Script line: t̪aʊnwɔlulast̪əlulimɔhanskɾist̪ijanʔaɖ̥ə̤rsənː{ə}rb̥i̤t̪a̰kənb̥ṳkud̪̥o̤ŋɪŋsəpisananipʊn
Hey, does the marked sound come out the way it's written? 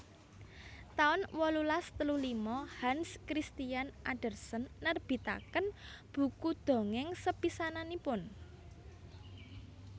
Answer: yes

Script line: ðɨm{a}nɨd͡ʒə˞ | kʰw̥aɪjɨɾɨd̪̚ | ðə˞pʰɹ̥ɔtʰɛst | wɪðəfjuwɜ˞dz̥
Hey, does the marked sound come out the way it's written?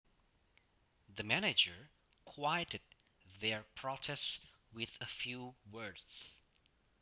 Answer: no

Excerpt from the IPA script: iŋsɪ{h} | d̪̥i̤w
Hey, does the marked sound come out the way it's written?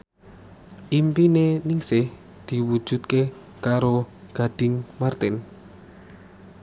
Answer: yes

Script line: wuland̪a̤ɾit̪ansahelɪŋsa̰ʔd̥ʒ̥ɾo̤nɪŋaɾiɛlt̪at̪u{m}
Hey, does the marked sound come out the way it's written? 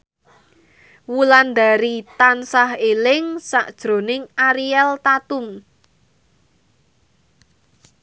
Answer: yes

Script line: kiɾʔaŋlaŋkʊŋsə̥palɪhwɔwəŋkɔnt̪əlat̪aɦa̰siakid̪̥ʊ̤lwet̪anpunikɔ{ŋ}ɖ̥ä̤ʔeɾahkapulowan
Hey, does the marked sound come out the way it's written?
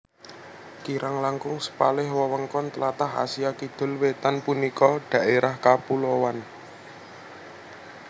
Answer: no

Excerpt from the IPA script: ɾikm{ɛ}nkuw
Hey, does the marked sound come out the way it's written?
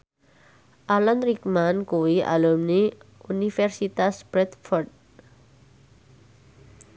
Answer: no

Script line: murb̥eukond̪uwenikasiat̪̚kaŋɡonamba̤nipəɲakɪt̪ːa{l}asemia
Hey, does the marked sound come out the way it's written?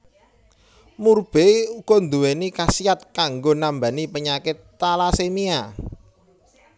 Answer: yes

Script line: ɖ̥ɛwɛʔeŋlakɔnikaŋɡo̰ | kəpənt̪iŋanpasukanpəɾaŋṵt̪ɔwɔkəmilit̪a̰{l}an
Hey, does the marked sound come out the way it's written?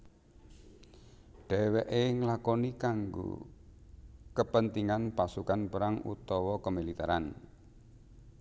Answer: no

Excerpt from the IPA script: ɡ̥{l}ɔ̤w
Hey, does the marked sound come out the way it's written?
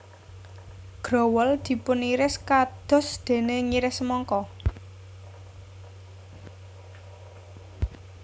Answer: no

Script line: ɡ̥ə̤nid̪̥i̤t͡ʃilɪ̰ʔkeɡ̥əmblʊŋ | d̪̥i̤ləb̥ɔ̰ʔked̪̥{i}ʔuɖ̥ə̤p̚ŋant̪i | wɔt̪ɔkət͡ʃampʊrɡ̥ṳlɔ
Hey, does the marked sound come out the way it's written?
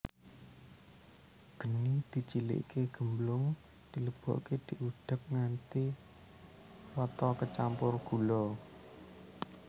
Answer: yes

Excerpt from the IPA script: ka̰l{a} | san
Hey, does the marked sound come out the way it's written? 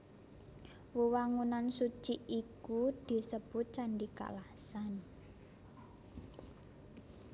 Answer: yes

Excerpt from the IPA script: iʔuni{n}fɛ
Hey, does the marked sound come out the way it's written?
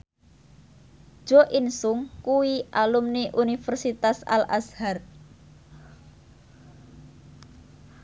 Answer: no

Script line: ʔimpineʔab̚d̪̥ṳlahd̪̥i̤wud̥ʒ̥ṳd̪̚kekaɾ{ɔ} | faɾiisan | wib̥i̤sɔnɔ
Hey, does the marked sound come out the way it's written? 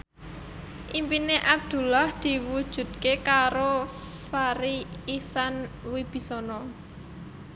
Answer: no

